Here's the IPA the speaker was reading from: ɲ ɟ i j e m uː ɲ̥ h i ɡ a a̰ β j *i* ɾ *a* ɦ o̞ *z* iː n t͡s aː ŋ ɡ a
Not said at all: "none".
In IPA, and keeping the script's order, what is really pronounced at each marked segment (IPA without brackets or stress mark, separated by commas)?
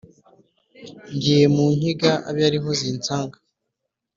a, i, z